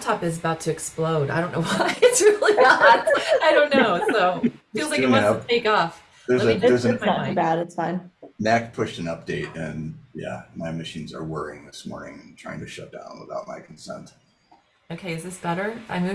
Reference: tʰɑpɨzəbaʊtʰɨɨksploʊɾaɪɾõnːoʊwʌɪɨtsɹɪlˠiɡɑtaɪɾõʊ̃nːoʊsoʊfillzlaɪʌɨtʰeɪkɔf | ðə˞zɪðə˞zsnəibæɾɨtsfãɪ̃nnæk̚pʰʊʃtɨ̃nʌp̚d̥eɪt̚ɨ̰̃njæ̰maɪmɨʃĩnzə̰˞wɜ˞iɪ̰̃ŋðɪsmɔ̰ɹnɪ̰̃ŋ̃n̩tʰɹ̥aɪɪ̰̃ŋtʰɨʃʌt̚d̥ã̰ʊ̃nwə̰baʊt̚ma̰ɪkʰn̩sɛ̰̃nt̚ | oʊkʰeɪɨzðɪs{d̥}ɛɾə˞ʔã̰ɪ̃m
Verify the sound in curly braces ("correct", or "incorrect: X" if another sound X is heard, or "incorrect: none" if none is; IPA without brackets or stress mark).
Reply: incorrect: b̥